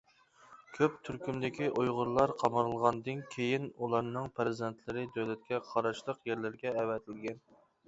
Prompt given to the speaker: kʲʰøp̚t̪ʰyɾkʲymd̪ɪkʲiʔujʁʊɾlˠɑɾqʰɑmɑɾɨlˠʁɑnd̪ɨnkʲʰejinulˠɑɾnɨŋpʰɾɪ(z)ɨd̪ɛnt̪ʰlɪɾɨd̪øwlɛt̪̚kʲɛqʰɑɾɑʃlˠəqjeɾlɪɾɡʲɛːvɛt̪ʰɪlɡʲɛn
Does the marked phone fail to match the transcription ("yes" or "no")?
no